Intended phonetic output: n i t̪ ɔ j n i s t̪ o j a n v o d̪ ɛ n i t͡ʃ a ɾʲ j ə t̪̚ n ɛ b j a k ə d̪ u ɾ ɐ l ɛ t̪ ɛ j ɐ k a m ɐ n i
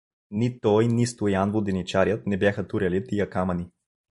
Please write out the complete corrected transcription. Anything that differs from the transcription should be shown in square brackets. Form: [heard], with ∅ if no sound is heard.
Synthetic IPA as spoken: n i t̪ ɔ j n i s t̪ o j a n v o d̪ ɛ n i t͡ʃ a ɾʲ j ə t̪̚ n ɛ b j a [x] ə [t̪] u ɾ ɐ l [i] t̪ [i] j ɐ k a m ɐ n i

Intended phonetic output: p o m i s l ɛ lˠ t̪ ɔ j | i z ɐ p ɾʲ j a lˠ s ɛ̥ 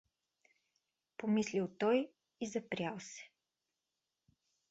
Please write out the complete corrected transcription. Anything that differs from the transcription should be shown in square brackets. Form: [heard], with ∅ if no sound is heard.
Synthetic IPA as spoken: p o m i s l [i] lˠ t̪ ɔ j | i z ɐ p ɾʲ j a lˠ s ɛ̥

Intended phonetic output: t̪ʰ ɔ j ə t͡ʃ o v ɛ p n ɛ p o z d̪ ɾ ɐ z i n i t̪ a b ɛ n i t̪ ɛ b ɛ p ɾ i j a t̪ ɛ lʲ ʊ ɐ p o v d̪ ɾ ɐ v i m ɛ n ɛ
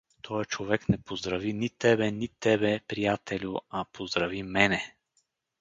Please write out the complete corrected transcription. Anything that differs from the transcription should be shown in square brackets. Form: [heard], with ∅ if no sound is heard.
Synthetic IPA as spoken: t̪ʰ ɔ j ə t͡ʃ o v ɛ [k] n ɛ p o z d̪ ɾ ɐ [v] i n i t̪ [ɛ] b ɛ n i t̪ ɛ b ɛ p ɾ i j a t̪ ɛ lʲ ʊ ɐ p o [z] d̪ ɾ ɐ v i m ɛ n ɛ

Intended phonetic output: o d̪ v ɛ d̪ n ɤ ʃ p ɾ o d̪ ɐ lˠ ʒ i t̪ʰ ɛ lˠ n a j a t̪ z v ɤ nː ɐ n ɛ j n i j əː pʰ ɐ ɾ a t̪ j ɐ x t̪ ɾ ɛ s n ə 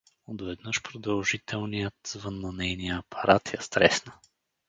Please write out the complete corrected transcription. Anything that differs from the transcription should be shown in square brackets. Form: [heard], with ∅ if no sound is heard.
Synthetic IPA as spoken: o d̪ v ɛ d̪ n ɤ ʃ p ɾ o d̪ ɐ lˠ ʒ i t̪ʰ ɛ lˠ n [i] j [ə] t̪ z v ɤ nː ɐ n ɛ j n i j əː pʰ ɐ ɾ a t̪ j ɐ [s] t̪ ɾ ɛ s n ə

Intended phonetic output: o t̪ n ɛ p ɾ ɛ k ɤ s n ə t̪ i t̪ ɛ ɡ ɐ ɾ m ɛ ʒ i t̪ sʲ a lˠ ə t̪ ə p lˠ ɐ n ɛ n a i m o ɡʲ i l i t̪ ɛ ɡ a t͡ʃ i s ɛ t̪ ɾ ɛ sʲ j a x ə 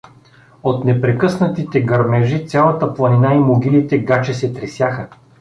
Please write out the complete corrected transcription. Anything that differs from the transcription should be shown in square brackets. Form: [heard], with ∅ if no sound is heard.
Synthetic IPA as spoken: o t̪ n ɛ p ɾ ɛ k ɤ s n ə t̪ i t̪ ɛ ɡ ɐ ɾ m ɛ ʒ i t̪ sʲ a lˠ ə t̪ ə p lˠ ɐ n [i] n a i m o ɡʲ i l i t̪ ɛ ɡ a t͡ʃ [ɛ] s ɛ t̪ ɾ ɛ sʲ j a x ə

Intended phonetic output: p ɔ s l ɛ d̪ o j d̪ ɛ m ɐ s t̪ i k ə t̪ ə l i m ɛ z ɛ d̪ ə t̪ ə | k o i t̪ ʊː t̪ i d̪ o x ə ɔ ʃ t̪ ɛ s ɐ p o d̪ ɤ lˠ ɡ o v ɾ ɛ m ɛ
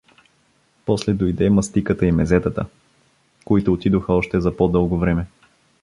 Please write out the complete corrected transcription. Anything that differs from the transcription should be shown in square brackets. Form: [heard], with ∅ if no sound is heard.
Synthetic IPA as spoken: p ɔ s l ɛ d̪ o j d̪ ɛ m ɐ s t̪ i k ə t̪ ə [∅] i m ɛ z ɛ [t̪] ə t̪ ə | k o i t̪ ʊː t̪ i d̪ o x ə ɔ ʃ t̪ ɛ [z] ɐ p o d̪ ɤ lˠ ɡ o v ɾ ɛ m ɛ

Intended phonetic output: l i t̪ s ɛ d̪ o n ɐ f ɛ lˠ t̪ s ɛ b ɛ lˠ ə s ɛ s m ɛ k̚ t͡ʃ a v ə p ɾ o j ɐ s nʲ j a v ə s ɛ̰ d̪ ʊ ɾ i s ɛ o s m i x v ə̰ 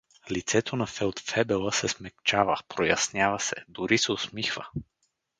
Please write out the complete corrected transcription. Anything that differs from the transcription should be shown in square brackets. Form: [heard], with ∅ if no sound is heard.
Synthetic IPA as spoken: l i t̪ s ɛ [t̪] o n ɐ f ɛ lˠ t̪ [f] ɛ b ɛ lˠ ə s ɛ s m ɛ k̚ t͡ʃ a v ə p ɾ o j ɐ s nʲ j a v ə s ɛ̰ d̪ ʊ ɾ i s ɛ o s m i x v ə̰

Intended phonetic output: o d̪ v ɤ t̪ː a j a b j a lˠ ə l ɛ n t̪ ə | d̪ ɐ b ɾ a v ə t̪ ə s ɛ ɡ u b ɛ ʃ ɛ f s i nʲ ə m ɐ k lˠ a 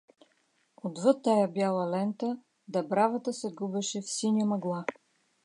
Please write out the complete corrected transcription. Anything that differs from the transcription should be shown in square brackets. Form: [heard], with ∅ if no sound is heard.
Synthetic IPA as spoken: o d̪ v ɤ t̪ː a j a b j a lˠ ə l ɛ n t̪ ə | d̪ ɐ b ɾ a v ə t̪ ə s ɛ ɡ u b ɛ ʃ ɛ f s i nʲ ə m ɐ [ɡ] lˠ a

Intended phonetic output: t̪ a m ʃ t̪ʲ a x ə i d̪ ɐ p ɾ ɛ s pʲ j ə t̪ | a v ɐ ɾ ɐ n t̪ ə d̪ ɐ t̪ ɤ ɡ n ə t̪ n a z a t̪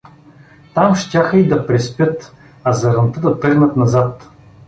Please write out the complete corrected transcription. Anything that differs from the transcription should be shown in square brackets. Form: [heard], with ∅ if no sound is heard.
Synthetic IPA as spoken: t̪ a m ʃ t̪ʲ a x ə i d̪ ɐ p ɾ ɛ s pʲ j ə t̪ | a [z] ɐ ɾ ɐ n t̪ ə d̪ ɐ t̪ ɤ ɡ n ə t̪ n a z a t̪

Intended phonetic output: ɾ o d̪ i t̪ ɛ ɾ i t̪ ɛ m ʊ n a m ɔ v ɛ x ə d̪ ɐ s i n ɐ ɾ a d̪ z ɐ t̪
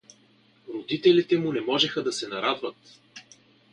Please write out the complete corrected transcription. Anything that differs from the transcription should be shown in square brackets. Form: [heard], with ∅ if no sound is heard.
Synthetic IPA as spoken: ɾ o d̪ i t̪ ɛ [l] i t̪ ɛ m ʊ n [ɛ] m ɔ [ʒ] ɛ x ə d̪ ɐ s [ɛ] n ɐ ɾ a d̪ [v] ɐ t̪

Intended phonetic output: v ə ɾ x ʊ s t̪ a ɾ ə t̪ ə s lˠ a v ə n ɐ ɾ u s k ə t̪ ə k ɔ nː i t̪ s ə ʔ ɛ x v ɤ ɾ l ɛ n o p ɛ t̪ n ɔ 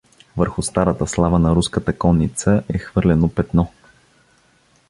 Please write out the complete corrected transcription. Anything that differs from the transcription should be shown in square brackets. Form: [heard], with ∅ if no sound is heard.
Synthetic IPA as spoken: v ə ɾ x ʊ s t̪ a ɾ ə t̪ ə s lˠ a v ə n ɐ ɾ u s k ə t̪ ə k ɔ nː i t̪ s ə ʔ ɛ x v ɤ ɾ l ɛ n o p ɛ t̪ n ɔ

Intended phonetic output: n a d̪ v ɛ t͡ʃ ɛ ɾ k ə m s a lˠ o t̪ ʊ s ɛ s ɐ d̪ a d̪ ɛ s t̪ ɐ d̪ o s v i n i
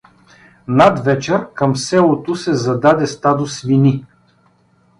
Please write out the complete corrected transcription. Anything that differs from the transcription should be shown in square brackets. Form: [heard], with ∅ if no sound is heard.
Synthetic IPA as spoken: n a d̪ v ɛ t͡ʃ ɛ ɾ k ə m s [ɛ] lˠ o t̪ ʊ s ɛ [z] ɐ d̪ a d̪ ɛ s t̪ [a] d̪ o s v i n i

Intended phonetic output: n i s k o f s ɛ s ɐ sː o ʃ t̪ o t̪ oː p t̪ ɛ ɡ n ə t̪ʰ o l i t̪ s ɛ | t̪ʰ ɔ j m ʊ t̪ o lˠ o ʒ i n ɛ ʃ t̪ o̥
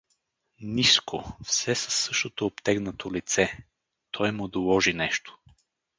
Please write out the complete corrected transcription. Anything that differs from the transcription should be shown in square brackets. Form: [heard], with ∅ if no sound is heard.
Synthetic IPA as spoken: n i s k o f s ɛ s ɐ sː [ɤ] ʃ t̪ o t̪ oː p t̪ ɛ ɡ n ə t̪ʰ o l i t̪ s ɛ | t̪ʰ ɔ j m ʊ [d̪] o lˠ [ɔ] ʒ i n ɛ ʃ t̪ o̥

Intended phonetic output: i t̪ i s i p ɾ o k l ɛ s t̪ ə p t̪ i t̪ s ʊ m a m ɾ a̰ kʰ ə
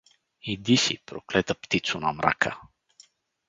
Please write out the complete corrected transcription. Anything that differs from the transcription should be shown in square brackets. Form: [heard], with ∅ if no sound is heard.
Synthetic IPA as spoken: i [d̪] i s i p ɾ o k l ɛ [∅] t̪ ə p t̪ i t̪ s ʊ [n] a m ɾ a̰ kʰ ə

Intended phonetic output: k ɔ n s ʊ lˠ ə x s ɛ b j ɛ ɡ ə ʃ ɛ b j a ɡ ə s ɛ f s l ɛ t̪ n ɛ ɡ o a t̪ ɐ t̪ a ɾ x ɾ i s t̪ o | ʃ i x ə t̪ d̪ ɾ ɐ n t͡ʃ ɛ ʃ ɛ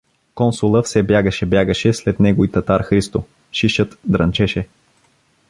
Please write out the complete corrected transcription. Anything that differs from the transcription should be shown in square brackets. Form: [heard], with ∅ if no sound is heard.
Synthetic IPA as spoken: k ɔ n s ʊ lˠ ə [f] s ɛ b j [a] ɡ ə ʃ ɛ b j a ɡ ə [ʃ] ɛ [∅] s l ɛ t̪ n ɛ ɡ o [i] t̪ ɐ t̪ a ɾ x ɾ i s t̪ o | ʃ i [ʃ] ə t̪ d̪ ɾ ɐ n t͡ʃ ɛ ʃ ɛ

